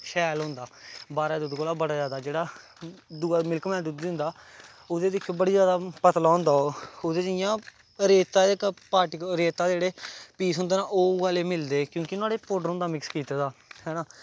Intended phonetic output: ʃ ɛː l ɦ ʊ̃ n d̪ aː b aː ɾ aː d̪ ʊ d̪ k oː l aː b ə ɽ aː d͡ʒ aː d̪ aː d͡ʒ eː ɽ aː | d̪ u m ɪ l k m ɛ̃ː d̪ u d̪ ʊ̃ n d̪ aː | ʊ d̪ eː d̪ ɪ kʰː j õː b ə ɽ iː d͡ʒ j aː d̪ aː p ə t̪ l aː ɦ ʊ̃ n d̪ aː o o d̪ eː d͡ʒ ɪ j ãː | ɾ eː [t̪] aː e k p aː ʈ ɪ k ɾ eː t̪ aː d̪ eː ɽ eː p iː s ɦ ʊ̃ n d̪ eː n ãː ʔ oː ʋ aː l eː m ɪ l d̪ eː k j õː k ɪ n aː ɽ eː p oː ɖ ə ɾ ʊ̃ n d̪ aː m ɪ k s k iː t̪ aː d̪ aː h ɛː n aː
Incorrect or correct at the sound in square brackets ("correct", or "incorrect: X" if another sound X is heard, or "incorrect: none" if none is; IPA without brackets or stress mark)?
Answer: correct